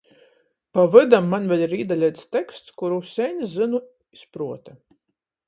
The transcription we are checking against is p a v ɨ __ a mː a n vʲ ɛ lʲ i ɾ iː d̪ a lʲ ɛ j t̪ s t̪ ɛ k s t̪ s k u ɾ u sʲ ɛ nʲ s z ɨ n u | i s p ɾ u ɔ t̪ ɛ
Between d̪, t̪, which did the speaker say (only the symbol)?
d̪